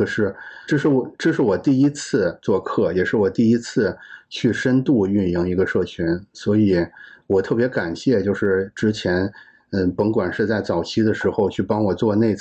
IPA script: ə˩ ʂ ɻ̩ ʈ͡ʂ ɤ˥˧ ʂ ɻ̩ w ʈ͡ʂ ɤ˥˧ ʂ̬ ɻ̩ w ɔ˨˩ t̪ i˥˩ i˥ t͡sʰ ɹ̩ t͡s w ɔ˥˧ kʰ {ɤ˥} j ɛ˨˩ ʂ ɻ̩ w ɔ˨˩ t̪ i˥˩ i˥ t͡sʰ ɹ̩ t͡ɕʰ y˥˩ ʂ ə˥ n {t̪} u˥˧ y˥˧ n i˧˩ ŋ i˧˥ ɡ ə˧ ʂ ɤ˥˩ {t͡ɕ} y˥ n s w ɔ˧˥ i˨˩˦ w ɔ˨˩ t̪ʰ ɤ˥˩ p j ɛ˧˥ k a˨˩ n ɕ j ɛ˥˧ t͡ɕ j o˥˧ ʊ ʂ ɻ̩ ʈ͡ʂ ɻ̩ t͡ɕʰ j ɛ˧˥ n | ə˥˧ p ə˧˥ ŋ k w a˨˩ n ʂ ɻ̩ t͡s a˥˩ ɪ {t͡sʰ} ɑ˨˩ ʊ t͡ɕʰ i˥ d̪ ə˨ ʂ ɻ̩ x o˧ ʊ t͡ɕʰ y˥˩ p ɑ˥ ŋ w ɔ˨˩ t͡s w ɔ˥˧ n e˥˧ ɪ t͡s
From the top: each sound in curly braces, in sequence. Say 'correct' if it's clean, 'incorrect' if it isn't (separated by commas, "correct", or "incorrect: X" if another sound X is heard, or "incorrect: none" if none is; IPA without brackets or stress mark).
incorrect: ɤ˥˩, correct, incorrect: t͡ɕʰ, incorrect: t͡s